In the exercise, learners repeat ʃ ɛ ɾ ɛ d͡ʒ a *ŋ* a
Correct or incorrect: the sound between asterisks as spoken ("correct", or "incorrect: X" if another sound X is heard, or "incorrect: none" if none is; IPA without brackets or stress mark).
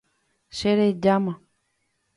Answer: incorrect: m